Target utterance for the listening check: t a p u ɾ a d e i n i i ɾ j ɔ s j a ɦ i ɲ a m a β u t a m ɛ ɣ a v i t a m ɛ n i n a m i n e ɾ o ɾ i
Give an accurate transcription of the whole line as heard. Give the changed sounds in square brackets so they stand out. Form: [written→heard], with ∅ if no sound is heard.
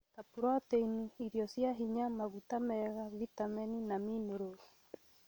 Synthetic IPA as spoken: t a p u ɾ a [d→t] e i n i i ɾ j ɔ s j a ɦ i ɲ a m a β u t a m ɛ ɣ a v i t a m ɛ n i n a m i n e ɾ o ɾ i